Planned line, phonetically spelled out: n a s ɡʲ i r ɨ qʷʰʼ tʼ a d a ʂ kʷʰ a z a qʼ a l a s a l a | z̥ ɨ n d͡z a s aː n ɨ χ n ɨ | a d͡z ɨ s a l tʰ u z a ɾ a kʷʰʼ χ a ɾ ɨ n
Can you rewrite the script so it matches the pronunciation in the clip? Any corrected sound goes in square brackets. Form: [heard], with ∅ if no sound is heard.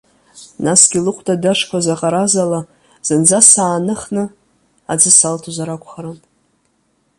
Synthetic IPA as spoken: n a s ɡʲ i [l] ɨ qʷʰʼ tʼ a d a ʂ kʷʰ a z a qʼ a [ɾ] a [z] a l a | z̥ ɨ n d͡z a s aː n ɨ χ n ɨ | a d͡z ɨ s a l tʰ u z a ɾ a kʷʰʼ χ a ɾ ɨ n